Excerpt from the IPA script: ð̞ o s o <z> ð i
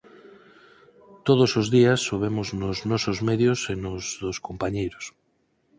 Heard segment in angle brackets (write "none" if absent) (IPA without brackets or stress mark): z